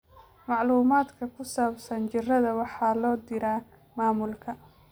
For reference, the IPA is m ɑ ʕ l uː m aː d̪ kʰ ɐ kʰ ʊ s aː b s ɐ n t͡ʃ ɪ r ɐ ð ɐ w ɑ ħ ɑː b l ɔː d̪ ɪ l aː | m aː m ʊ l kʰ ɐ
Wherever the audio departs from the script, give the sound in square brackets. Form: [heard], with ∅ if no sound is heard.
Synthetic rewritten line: m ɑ ʕ l uː m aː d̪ kʰ ɐ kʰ ʊ s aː b s ɐ n t͡ʃ ɪ r ɐ ð ɐ w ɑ ħ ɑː [∅] l ɔː d̪ ɪ [ɾ] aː | m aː m ʊ l kʰ ɐ